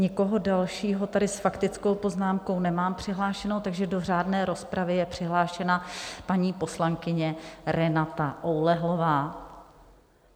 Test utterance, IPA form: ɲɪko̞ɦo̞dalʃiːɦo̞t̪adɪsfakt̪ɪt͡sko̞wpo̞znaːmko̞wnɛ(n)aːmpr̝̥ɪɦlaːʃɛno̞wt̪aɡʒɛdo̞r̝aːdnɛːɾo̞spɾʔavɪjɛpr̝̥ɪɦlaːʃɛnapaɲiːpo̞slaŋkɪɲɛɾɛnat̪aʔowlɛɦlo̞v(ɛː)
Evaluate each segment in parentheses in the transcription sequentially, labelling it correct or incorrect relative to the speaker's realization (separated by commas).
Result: incorrect, incorrect